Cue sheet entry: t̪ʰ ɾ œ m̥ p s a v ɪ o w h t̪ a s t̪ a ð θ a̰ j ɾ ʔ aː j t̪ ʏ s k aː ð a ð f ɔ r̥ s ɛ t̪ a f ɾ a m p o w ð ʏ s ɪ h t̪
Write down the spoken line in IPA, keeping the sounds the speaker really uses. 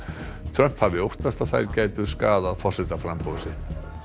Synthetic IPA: t̪ʰ ɾ œ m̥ p h a v ɪ o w h t̪ a s t̪ a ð θ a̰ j ɾ c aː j t̪ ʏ s k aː ð a ð f ɔ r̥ s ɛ t̪ a f ɾ a m p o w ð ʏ s ɪ h t̪